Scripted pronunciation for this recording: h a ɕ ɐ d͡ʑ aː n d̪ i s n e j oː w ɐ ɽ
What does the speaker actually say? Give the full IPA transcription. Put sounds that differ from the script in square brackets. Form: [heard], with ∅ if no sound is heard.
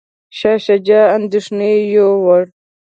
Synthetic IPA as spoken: [ɕ] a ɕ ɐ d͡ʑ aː n d̪ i [ʂ] n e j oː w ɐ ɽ